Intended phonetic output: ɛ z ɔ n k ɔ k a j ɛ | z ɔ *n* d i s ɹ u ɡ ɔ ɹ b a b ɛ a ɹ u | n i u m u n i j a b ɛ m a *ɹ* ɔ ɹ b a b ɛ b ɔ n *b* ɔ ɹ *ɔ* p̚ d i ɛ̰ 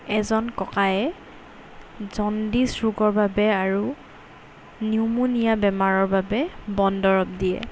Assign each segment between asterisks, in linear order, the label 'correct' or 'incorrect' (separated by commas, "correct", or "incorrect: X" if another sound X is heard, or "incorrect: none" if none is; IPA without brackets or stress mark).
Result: correct, correct, incorrect: d, correct